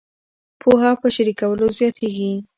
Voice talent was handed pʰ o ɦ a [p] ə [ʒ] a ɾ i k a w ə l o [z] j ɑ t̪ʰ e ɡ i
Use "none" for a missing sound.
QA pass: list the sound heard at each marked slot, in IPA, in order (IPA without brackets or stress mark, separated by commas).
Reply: p, ʃ, z